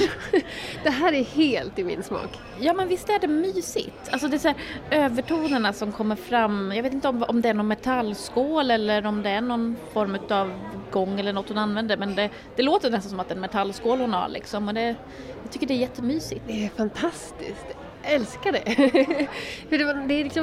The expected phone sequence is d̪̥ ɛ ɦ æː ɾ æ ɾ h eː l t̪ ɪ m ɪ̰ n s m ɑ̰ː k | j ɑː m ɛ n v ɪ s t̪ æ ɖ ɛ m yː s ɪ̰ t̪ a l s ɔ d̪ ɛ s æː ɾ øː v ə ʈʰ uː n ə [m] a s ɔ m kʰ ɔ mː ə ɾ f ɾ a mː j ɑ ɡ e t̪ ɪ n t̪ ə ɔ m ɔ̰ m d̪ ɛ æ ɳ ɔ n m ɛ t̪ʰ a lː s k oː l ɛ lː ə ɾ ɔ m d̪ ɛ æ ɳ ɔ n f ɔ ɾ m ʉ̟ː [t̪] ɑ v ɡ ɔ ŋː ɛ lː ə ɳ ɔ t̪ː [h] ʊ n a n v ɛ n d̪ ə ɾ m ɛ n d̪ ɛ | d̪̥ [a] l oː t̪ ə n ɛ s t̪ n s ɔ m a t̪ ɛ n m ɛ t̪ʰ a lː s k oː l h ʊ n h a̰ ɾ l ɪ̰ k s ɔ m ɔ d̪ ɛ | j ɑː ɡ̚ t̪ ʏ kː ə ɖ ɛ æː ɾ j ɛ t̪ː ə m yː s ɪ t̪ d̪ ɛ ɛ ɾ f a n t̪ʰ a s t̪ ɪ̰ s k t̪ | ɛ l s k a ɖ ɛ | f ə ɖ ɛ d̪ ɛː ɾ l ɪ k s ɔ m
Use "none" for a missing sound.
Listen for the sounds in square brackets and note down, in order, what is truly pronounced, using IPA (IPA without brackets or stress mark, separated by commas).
ɳ, t̪, h, ɛ